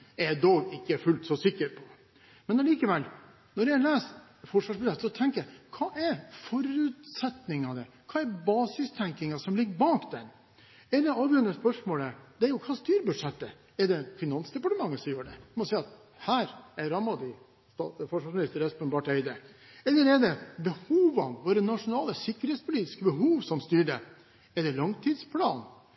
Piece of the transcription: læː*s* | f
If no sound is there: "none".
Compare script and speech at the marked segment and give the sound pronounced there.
s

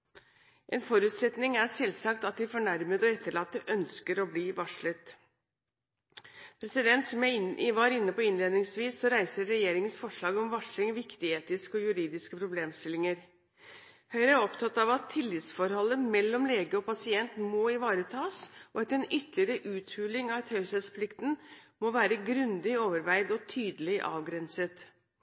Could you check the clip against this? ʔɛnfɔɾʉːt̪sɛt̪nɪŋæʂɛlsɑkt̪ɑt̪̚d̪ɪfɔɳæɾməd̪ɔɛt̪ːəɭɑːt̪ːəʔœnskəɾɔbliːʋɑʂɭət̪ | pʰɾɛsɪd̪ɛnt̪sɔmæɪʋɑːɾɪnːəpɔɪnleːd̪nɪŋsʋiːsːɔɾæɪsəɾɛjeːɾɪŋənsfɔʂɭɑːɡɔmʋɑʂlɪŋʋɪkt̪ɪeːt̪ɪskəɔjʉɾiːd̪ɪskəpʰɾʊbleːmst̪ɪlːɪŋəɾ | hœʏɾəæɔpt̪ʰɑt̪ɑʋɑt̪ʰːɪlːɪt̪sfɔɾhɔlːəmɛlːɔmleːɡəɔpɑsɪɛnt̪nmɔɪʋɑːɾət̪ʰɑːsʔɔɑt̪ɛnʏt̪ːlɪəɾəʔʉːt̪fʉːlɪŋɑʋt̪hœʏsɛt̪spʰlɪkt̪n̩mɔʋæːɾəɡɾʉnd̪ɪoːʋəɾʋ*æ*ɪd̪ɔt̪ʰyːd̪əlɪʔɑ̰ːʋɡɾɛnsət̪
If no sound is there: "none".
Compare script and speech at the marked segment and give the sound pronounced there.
æ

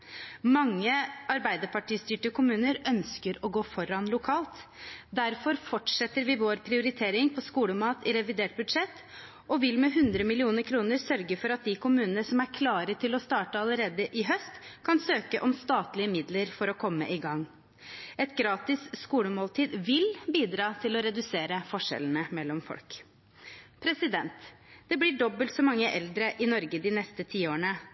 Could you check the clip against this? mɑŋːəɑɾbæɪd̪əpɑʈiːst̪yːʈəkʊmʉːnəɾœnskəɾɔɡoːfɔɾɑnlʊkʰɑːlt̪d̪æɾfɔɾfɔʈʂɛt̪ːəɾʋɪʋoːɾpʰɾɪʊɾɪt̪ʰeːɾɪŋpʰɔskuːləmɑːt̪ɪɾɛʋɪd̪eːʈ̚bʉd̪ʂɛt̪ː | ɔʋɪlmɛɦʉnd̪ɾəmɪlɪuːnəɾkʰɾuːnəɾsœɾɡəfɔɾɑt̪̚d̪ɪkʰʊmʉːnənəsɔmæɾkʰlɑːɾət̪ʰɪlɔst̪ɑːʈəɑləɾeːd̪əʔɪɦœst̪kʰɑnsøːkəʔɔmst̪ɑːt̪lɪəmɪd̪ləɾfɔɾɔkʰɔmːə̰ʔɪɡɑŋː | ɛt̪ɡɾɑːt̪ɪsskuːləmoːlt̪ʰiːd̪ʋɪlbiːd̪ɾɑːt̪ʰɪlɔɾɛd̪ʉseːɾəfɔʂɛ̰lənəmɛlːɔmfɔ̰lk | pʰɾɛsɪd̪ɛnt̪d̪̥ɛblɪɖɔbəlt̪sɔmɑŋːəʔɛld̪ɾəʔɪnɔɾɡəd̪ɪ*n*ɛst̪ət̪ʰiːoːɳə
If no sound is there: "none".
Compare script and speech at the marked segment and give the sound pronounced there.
n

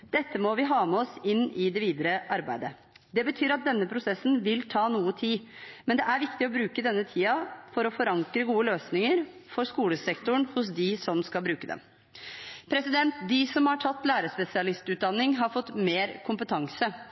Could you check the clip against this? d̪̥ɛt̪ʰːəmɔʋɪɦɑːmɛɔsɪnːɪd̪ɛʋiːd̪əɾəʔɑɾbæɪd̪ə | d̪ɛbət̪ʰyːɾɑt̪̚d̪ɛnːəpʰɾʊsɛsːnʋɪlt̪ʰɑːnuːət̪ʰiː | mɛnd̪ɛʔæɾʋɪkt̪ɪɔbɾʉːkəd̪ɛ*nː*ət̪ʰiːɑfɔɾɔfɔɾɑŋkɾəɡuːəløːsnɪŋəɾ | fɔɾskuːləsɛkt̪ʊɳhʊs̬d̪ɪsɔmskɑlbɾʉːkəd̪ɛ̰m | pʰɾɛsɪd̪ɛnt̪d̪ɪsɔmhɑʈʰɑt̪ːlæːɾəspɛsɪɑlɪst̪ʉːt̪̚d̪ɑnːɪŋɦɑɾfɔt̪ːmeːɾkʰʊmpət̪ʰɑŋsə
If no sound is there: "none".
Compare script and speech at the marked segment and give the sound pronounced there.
nː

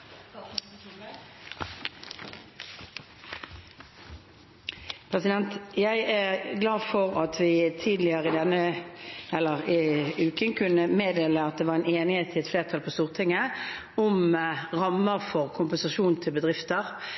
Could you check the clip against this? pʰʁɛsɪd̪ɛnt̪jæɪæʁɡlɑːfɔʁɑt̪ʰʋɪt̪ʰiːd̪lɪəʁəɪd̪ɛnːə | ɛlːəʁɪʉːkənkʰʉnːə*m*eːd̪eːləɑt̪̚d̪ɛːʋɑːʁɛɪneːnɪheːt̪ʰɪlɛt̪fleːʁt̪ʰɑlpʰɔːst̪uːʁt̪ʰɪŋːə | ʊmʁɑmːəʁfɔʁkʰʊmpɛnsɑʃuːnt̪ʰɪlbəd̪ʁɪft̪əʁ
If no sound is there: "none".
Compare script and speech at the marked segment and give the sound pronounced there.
m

